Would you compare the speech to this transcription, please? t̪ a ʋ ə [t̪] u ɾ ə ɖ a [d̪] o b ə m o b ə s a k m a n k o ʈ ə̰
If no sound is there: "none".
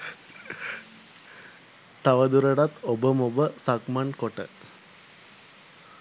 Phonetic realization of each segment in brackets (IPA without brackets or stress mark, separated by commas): d̪, t̪